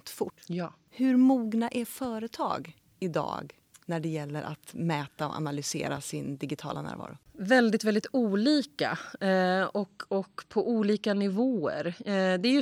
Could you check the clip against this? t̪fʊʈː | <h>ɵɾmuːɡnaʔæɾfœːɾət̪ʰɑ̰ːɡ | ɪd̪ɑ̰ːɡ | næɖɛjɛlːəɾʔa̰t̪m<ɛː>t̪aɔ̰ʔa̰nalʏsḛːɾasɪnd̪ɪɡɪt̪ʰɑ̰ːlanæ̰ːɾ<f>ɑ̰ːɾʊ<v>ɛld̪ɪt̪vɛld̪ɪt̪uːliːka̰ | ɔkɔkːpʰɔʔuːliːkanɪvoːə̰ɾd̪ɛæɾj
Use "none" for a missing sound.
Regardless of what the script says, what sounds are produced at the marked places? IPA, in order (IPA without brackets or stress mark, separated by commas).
h, ɛː, v, v